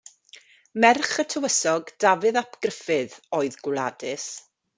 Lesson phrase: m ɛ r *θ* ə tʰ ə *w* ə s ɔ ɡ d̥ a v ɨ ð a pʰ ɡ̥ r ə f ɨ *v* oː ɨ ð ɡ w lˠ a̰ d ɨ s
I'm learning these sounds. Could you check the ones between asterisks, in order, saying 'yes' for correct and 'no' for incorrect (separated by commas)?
no, yes, no